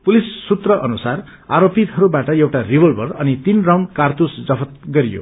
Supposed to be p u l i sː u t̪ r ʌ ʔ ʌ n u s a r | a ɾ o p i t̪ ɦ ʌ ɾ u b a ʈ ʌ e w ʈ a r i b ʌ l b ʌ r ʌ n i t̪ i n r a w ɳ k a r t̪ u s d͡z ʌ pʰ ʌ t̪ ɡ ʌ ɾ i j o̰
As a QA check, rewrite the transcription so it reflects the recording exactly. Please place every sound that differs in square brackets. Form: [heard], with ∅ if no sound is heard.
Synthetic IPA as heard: p u l i sː u t̪ r ʌ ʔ ʌ n u s a r | a ɾ o p i t̪ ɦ ʌ ɾ u b a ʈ ʌ e w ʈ a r i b ʌ l b ʌ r ʌ n i t̪ i n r a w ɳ k a r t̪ u s d͡z ʌ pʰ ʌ t̪ ɡ ʌ ɾ i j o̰